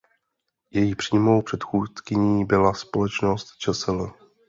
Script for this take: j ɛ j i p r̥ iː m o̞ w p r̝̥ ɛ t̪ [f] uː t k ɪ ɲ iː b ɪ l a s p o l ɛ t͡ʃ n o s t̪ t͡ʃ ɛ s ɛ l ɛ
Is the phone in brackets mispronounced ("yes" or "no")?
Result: yes